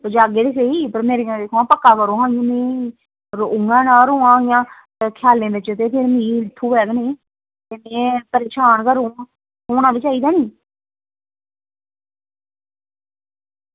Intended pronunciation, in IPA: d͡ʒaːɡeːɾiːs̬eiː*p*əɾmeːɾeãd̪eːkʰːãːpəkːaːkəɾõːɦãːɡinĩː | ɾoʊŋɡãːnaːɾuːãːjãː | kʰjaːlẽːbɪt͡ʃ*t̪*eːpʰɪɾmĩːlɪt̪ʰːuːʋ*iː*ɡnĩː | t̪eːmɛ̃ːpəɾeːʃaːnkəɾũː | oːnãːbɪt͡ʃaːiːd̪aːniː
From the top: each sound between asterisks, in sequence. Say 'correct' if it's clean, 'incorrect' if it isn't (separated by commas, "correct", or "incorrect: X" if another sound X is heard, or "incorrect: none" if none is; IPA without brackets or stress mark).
correct, correct, incorrect: ɛː